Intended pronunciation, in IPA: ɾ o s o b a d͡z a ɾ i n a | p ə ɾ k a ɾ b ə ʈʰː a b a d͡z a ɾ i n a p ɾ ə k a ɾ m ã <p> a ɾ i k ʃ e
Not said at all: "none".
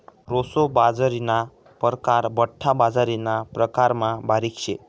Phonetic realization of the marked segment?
b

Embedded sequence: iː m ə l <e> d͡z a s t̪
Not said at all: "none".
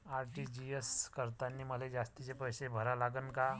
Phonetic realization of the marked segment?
e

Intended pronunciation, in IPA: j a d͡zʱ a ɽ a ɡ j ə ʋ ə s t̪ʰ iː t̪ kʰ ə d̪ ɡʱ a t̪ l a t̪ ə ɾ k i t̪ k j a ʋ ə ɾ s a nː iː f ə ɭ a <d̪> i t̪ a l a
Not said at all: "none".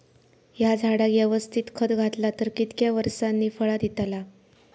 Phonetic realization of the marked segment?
d̪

